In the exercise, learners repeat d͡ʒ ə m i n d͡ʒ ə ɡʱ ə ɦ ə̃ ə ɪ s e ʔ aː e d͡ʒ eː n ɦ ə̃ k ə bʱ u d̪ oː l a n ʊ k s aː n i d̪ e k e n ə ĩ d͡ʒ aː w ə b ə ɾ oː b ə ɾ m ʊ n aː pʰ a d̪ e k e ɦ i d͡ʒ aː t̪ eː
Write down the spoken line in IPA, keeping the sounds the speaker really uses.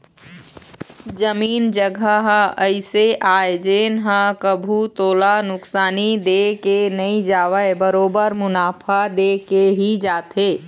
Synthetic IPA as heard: d͡ʒ ə m iː n d͡ʒ ə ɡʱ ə ɦ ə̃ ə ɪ s e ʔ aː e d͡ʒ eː n ɦ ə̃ k ə bʱ u t̪ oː l a n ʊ k s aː n i d̪ e k e n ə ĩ d͡ʒ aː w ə b ə ɾ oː b ə ɾ m ʊ n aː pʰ a d̪ e k e ɦ i d͡ʒ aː t̪ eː

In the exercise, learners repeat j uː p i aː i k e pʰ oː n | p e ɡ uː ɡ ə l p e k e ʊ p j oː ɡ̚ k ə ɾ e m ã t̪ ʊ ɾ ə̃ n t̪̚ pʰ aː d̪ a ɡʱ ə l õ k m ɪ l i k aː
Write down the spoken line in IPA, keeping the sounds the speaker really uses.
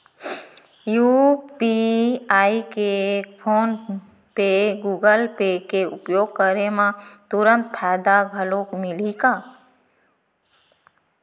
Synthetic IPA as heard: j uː p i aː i k e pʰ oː n | p e ɡ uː ɡ ə l p e k e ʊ p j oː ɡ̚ k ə ɾ e m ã t̪ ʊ ɾ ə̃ n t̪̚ pʰ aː d̪ a ɡʱ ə l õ k m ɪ l i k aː

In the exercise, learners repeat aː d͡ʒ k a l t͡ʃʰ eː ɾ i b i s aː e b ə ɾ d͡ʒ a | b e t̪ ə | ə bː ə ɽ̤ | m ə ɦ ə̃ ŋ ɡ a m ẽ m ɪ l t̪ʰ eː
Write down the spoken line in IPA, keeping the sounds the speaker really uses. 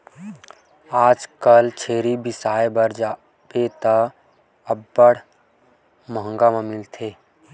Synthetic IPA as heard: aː d͡ʒ k ə l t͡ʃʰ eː ɾ i b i s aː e b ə ɾ d͡ʒ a | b e t̪ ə | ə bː ə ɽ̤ | m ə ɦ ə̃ ŋ ɡ a m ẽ m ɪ l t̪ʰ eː

